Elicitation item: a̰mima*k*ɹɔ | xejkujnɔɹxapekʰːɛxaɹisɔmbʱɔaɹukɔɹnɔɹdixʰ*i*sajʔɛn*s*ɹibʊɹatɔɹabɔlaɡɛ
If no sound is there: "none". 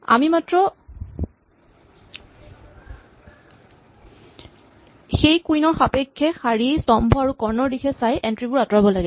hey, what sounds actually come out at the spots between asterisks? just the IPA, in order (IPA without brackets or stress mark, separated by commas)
t, ɛ, t